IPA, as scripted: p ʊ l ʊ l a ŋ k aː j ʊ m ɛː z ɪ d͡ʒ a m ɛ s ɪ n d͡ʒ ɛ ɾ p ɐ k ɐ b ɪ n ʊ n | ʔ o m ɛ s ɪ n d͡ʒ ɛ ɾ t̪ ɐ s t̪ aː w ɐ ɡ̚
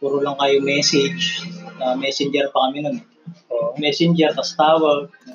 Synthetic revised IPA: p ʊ ɾ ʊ l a ŋ k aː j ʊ m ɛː s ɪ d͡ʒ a m ɛ s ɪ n d͡ʒ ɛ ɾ p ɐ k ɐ m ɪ n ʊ n | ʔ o m ɛ s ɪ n d͡ʒ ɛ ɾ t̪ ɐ s t̪ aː w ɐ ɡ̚